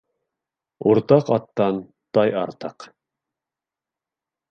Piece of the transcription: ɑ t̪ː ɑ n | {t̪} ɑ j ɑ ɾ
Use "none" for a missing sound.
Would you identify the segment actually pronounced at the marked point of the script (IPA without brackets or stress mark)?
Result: t̪